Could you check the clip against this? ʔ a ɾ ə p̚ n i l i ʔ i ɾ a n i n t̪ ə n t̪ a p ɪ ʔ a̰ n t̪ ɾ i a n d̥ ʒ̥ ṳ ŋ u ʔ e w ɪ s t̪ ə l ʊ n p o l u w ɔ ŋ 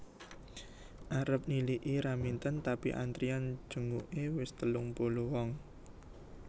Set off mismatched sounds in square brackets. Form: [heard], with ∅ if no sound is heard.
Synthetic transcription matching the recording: ʔ a ɾ ə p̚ n i l i ʔ i ɾ a [m] i n t̪ ə n t̪ a p [i] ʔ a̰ n t̪ ɾ i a n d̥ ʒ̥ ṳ ŋ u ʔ e w ɪ s t̪ ə l ʊ [ŋ] p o l u w ɔ ŋ